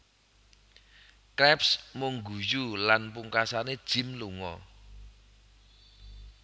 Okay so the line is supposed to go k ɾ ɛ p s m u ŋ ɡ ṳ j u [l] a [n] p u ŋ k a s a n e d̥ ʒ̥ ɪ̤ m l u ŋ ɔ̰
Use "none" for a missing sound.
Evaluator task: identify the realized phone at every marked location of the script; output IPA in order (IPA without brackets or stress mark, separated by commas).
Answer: l, n